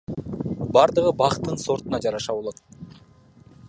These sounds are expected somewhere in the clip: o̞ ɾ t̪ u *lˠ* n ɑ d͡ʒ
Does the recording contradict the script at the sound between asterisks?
yes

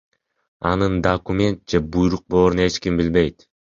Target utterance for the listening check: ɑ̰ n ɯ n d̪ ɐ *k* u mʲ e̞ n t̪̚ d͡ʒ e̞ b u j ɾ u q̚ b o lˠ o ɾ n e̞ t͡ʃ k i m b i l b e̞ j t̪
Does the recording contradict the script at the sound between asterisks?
no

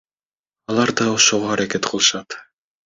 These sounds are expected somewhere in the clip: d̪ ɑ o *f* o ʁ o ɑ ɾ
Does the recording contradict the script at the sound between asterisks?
yes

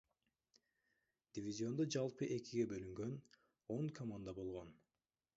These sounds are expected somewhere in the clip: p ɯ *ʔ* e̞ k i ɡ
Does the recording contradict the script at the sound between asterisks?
no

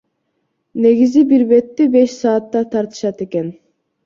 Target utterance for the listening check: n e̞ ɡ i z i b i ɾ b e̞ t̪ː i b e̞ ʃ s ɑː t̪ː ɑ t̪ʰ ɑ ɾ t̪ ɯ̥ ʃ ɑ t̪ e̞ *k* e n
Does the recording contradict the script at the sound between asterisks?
no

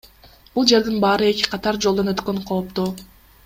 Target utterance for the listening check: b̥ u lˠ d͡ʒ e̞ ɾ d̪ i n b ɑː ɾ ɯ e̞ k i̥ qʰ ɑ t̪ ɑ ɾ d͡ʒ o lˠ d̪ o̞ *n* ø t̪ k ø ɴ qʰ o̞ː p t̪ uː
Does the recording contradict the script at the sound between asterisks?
no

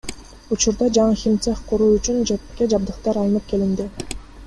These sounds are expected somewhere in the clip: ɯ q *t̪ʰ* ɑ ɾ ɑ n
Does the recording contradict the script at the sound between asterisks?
yes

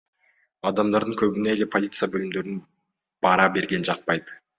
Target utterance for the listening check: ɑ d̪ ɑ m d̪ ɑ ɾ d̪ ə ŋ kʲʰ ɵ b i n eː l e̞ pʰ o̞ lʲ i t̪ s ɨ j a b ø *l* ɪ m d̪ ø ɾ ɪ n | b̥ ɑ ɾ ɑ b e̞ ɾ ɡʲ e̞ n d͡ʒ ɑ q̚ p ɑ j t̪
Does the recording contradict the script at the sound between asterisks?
no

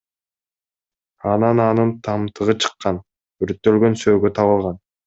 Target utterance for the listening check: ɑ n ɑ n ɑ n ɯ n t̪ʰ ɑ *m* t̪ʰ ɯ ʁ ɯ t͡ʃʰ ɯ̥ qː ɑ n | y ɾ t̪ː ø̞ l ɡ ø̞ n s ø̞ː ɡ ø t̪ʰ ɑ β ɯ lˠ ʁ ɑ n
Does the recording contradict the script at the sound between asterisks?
no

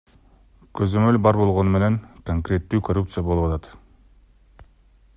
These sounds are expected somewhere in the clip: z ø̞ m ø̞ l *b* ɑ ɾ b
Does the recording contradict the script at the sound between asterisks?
no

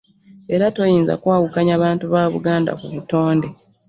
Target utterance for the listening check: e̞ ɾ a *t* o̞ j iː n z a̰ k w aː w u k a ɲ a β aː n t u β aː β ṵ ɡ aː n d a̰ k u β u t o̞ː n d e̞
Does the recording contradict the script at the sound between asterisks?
no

